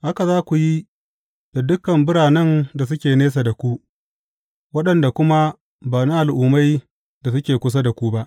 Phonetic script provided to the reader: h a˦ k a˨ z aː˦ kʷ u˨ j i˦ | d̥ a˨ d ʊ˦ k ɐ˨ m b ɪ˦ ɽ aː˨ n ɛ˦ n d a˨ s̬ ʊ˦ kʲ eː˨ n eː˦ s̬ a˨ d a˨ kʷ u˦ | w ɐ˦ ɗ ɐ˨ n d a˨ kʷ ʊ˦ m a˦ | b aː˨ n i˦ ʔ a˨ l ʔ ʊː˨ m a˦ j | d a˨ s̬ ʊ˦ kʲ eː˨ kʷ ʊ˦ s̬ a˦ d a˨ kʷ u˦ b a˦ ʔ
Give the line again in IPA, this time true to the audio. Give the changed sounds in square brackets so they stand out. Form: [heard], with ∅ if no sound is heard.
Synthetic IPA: h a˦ k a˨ z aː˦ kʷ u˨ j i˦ | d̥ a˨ d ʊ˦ k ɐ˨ m b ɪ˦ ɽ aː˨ n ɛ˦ n d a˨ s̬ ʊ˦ kʲ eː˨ n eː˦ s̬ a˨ d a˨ kʷ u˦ | w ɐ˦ ɗ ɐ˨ n d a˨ kʷ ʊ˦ m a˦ | b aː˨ n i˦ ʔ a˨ l ʔ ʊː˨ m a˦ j | d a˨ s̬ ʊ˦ kʲ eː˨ kʷ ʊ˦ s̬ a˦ d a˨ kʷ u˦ b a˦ ʔ